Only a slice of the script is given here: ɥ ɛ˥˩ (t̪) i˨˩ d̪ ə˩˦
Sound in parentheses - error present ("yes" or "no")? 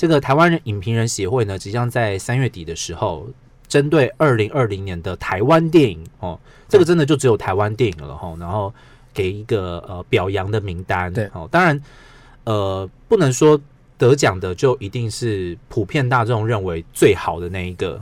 no